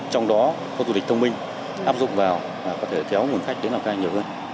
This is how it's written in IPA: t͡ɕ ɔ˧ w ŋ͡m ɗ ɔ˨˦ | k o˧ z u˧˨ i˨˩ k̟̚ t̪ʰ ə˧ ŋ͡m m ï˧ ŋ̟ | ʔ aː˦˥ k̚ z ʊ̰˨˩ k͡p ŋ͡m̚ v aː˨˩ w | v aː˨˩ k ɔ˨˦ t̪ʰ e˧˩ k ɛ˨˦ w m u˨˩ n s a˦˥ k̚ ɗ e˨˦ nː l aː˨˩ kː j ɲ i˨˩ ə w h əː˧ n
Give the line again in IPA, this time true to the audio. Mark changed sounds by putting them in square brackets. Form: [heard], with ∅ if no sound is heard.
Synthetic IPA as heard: t͡ɕ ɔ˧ w ŋ͡m ɗ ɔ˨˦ | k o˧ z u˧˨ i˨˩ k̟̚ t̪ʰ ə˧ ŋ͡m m ï˧ ŋ̟ | ʔ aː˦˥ [p̚] z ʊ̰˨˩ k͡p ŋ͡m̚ v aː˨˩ w | v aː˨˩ k ɔ˨˦ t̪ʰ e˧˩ k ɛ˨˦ w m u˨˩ n [x] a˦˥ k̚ ɗ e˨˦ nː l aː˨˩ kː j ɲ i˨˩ ə w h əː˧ n